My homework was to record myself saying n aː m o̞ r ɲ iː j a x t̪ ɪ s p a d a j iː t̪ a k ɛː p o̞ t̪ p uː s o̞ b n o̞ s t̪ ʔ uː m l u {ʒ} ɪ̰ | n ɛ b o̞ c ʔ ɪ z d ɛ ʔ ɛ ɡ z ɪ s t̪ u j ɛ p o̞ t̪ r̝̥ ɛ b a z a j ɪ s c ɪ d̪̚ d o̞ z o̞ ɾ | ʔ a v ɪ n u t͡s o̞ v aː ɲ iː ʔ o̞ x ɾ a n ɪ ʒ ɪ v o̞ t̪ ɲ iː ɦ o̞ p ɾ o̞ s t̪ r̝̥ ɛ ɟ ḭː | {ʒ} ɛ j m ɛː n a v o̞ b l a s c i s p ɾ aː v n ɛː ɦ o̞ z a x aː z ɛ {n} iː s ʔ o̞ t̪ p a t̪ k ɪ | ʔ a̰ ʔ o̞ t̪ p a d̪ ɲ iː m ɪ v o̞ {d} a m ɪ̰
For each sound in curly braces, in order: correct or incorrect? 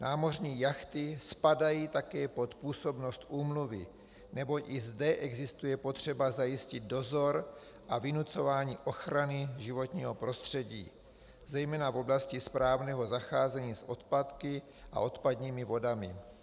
incorrect: v, incorrect: z, incorrect: ɲ, correct

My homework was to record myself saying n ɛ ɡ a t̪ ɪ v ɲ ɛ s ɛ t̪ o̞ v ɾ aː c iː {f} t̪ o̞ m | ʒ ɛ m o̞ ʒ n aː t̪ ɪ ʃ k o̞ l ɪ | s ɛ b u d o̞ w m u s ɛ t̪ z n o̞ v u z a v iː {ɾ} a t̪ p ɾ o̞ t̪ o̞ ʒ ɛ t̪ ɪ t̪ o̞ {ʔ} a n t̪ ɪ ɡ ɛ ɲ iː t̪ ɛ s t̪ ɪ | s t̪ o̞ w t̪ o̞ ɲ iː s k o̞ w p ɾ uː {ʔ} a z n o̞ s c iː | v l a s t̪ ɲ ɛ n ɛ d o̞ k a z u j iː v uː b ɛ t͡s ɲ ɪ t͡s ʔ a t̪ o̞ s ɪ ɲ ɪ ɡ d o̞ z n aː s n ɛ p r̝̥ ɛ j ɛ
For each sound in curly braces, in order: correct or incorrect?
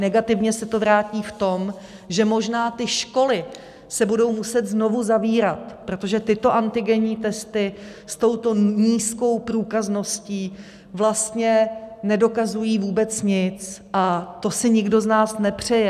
correct, correct, correct, incorrect: k

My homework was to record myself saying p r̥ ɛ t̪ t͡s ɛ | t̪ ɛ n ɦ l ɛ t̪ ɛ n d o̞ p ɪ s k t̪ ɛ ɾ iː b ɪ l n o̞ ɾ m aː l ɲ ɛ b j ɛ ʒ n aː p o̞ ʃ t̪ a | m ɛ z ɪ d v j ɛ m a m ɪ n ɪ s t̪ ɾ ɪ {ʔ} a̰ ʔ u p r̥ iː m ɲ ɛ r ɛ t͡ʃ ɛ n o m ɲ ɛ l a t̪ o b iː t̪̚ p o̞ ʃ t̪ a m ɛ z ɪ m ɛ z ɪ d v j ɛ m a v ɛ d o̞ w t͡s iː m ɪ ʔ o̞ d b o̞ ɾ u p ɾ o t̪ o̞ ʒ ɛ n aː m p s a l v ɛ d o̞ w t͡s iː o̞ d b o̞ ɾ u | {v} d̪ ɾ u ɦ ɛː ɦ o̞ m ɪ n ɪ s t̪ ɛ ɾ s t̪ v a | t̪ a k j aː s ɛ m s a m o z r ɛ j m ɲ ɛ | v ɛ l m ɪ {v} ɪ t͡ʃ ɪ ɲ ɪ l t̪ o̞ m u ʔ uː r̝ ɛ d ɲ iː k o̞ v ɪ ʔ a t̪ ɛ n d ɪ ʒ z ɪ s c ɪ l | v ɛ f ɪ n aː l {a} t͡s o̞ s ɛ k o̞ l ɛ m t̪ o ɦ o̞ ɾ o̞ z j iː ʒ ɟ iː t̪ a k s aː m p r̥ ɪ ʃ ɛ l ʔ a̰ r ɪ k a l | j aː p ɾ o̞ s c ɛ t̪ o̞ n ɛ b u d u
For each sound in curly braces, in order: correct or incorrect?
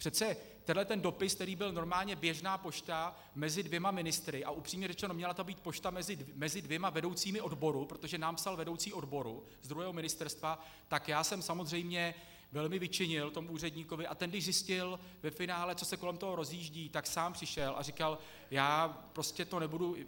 correct, incorrect: z, correct, incorrect: ɛ

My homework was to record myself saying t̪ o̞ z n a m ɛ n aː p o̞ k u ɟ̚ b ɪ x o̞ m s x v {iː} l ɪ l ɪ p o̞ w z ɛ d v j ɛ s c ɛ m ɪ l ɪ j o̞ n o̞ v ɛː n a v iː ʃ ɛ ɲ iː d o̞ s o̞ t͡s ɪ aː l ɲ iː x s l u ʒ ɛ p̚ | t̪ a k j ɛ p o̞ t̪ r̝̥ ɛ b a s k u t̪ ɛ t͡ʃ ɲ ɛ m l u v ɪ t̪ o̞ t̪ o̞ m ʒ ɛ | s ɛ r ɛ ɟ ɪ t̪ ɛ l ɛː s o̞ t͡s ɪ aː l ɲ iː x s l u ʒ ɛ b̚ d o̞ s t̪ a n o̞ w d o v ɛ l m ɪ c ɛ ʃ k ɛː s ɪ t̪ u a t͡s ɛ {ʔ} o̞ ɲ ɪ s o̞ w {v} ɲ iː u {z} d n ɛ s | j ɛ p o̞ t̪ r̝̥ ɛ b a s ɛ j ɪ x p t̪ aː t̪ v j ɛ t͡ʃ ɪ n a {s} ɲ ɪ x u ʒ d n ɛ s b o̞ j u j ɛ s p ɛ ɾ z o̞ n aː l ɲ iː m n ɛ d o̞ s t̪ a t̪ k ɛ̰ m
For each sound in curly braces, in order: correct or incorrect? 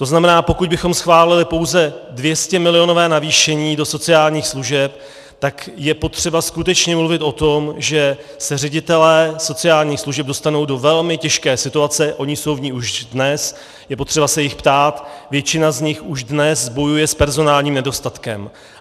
incorrect: aː, correct, correct, incorrect: ʒ, incorrect: z

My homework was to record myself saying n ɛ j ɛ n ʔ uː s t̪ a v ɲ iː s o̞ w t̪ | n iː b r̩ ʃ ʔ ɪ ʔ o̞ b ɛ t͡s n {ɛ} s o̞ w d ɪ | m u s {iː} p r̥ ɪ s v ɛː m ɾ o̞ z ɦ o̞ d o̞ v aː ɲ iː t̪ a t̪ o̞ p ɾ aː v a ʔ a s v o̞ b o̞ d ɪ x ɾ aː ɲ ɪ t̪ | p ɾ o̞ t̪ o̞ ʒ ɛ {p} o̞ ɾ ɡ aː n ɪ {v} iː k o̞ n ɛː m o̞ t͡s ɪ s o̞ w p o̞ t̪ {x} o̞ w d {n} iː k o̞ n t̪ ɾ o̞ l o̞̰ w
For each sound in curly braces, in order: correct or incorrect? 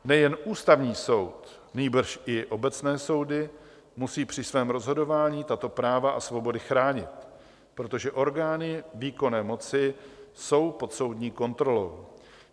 incorrect: ɛː, correct, incorrect: ʔ, correct, incorrect: s, incorrect: ɲ

